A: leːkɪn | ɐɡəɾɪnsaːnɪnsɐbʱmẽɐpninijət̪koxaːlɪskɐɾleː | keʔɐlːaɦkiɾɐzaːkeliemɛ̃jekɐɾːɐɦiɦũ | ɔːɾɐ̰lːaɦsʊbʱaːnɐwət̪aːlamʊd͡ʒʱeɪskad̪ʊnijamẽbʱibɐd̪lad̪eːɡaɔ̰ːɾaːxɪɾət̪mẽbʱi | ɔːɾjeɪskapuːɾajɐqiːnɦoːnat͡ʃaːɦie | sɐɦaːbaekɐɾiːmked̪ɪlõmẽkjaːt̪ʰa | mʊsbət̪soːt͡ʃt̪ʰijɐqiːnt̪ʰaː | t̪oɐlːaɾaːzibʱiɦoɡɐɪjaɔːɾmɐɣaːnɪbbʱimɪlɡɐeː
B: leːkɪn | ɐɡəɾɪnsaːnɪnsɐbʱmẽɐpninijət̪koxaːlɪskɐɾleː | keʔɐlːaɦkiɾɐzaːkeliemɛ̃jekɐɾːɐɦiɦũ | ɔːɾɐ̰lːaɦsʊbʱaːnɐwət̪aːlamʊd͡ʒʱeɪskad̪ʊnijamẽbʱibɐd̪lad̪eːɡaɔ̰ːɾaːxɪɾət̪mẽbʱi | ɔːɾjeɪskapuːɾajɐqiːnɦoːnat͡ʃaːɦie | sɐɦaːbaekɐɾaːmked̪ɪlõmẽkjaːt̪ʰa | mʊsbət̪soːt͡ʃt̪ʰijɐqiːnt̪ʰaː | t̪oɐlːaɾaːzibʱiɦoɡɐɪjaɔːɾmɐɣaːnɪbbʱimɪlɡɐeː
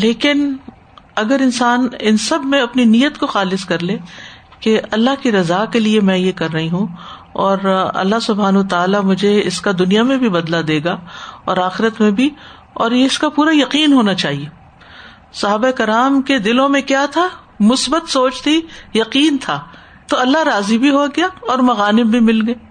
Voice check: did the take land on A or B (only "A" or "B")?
B